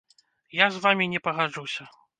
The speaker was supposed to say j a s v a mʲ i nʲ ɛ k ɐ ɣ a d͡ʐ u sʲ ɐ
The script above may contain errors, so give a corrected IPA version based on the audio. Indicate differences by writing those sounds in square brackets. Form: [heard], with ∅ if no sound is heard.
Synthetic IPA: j a [z] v a mʲ i nʲ ɛ [p] ɐ ɣ a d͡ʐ u sʲ ɐ